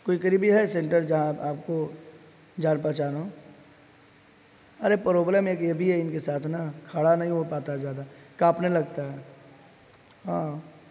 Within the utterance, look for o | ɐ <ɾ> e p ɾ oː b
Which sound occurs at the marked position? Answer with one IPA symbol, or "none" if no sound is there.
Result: ɾ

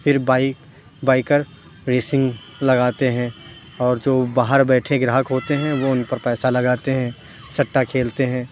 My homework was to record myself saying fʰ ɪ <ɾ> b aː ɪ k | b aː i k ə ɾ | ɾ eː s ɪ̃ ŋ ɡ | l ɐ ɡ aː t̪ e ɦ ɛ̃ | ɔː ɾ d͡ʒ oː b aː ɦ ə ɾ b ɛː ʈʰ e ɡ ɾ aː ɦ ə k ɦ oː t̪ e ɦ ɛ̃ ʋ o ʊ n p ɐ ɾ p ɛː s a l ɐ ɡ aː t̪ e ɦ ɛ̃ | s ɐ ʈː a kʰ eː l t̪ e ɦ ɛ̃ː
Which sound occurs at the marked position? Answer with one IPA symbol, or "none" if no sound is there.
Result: ɾ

